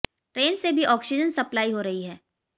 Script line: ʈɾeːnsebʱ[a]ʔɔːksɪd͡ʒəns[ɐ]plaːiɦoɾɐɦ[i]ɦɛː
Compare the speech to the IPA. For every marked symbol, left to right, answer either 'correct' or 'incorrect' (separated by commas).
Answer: incorrect, correct, correct